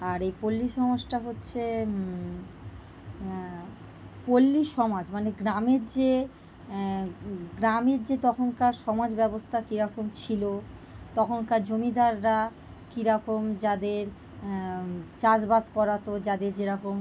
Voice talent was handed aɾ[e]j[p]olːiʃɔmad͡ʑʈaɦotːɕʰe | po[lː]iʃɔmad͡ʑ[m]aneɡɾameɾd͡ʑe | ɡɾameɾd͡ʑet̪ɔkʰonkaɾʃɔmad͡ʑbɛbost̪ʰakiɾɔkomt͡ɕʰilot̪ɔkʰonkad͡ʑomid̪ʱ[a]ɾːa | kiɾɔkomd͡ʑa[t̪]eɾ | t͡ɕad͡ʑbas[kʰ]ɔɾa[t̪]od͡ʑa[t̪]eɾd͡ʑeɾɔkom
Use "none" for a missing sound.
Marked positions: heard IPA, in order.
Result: e, p, lː, m, a, d̪, k, t̪, d̪

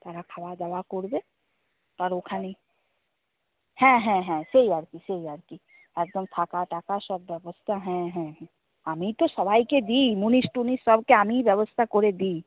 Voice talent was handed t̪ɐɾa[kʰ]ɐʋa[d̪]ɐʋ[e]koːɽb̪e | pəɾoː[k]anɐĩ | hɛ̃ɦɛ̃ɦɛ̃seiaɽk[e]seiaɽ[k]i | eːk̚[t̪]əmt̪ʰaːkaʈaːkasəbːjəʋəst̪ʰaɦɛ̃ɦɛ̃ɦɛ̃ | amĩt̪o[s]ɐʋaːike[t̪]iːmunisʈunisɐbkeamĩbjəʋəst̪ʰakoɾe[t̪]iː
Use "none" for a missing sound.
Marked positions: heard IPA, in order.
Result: kʰ, d̪, a, kʰ, i, k, d̪, s, d̪, d̪

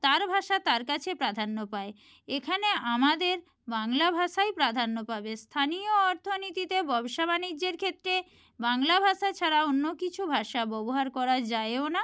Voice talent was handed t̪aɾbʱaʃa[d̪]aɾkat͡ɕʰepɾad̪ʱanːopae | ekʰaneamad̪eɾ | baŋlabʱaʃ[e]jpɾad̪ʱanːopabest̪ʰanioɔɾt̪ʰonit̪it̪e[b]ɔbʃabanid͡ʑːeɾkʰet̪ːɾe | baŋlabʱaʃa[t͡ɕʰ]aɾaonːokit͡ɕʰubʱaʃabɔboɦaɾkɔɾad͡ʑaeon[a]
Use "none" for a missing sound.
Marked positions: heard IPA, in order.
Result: t̪, a, b, t͡ɕʰ, a

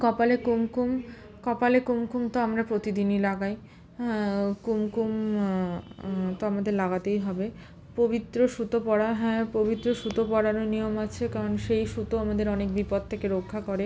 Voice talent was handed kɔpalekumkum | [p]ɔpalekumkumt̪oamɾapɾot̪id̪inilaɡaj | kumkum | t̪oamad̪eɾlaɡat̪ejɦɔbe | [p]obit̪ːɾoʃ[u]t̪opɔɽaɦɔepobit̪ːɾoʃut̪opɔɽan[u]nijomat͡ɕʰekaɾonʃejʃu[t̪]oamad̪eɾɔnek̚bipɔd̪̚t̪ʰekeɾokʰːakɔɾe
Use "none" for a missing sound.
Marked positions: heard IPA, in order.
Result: k, p, u, o, t̪

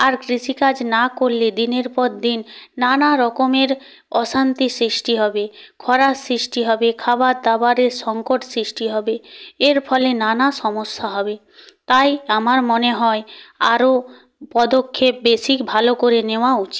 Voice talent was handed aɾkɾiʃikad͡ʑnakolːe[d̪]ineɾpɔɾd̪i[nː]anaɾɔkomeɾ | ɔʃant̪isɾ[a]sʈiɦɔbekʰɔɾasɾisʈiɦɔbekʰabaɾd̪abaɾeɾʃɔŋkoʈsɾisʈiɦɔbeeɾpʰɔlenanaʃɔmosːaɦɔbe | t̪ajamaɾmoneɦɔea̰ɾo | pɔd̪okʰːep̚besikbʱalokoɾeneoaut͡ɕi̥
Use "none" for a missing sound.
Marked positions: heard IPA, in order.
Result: d̪, nː, i

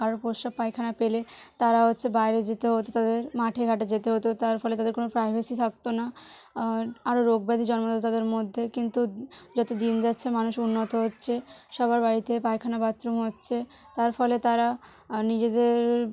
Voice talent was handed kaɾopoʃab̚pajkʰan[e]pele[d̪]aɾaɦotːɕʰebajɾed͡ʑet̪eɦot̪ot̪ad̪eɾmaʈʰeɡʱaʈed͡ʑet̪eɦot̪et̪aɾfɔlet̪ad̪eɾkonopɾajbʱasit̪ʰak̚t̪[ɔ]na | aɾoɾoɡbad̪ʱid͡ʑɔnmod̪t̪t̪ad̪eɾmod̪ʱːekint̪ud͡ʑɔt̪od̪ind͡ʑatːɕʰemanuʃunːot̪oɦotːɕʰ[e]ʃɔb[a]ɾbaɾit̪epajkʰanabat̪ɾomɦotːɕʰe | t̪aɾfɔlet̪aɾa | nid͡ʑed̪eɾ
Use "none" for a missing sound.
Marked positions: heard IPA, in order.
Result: a, t̪, o, e, a

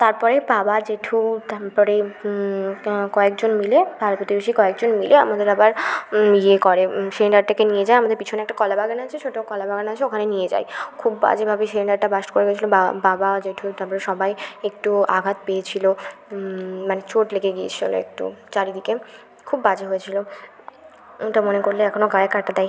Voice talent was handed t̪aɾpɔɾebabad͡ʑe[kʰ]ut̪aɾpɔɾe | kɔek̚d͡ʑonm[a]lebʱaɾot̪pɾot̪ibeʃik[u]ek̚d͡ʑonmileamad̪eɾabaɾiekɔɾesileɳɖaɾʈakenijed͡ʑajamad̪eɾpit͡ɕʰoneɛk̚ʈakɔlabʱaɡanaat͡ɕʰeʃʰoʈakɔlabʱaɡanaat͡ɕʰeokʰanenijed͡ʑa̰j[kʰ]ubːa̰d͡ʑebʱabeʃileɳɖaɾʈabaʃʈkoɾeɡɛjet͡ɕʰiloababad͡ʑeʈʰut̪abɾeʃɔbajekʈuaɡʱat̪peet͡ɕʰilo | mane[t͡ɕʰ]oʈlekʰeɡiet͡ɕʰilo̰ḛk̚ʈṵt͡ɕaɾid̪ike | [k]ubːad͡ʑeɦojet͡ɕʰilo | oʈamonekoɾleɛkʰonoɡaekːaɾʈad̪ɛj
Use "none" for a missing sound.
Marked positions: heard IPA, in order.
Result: ʈʰ, i, ɔ, kʰ, t͡ɕ, kʰ

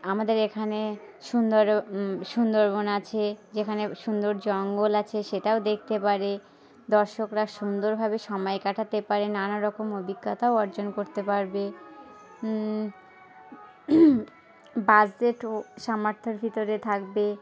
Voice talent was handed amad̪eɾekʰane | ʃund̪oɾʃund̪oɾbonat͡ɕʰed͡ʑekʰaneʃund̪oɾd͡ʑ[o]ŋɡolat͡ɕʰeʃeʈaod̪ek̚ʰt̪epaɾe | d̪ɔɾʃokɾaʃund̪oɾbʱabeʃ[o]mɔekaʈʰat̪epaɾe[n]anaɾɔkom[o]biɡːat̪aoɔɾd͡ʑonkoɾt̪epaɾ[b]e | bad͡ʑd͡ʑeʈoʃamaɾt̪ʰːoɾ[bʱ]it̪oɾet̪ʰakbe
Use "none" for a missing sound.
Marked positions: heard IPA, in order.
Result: ɔ, ɔ, n, o, b, bʱ

